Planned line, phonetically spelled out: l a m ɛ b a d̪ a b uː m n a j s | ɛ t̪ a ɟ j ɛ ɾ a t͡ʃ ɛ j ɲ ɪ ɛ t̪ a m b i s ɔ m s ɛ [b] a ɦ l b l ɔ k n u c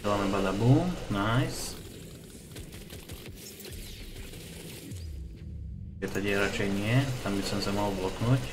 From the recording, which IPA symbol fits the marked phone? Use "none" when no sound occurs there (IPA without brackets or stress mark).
m